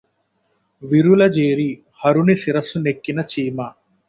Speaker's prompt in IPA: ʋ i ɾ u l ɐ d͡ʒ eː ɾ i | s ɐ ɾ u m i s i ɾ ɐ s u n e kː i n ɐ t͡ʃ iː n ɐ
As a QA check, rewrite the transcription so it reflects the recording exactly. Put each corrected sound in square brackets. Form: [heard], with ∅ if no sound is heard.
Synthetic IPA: ʋ i ɾ u l ɐ d͡ʒ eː ɾ i | [h] ɐ ɾ u [n] i s i ɾ ɐ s u n e kː i n ɐ t͡ʃ iː [m] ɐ